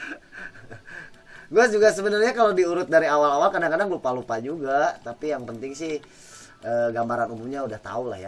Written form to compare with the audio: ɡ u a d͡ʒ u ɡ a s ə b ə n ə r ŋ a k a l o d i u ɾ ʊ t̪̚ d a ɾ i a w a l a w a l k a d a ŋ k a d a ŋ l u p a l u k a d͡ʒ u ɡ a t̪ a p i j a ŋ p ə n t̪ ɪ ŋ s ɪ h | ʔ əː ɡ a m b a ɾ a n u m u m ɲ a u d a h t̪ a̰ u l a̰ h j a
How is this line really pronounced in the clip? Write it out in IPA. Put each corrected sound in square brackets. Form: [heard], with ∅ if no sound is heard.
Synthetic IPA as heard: ɡ u a d͡ʒ u ɡ a s ə b ə n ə r [ɲ] a k a l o d i u ɾ ʊ t̪̚ d a ɾ i a w a l a w a l k a d a ŋ k a d a ŋ l u p a l u [p] a d͡ʒ u ɡ a t̪ a p i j a ŋ p ə n t̪ ɪ ŋ s ɪ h | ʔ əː ɡ a m b a ɾ a n u m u m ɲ a u d a h t̪ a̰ u l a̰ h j a